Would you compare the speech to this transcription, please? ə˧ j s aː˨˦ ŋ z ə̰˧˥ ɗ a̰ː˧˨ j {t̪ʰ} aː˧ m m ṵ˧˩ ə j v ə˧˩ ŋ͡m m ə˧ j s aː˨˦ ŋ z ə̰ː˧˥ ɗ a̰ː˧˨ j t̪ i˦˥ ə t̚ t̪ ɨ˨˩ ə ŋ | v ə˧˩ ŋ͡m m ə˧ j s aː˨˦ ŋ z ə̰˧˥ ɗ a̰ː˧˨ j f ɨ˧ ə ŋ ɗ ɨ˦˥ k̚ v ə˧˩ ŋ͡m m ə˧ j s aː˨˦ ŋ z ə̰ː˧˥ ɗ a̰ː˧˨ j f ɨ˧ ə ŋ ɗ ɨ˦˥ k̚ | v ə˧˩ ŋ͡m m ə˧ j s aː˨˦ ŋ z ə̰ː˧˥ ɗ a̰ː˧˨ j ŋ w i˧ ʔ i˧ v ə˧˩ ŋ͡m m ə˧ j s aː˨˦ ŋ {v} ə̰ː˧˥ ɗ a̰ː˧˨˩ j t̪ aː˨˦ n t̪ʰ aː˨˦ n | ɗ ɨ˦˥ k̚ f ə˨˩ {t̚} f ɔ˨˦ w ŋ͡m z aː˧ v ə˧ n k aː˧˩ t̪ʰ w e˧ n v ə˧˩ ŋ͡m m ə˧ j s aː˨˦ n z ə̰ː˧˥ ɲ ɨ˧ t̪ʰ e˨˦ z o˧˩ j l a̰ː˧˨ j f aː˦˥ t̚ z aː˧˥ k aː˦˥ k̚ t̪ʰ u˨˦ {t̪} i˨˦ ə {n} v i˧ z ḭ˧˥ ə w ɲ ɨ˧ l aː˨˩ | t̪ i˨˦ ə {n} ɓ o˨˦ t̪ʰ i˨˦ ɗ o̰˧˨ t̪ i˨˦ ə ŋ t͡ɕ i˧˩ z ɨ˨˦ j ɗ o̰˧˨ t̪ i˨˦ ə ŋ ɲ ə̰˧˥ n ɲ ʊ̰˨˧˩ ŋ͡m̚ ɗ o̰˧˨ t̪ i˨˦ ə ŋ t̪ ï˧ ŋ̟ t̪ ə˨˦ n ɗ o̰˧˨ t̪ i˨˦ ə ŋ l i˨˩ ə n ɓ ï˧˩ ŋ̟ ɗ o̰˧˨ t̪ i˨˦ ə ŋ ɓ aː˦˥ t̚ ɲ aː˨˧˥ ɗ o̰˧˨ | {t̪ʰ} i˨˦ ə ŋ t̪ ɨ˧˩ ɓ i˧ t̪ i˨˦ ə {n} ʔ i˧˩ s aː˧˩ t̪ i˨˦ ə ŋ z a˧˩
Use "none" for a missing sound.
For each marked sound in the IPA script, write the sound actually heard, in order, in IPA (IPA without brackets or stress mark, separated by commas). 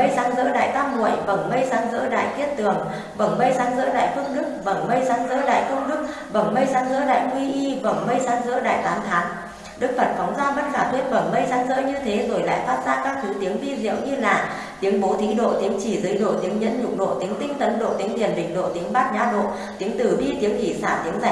t̪, z, t̚, t̪, ŋ, ŋ, t̪, ŋ